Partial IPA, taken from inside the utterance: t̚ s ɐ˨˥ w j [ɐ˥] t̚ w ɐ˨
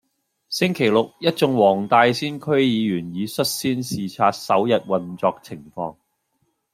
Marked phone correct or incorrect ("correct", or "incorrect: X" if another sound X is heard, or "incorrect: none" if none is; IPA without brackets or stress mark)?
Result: incorrect: ɐ˨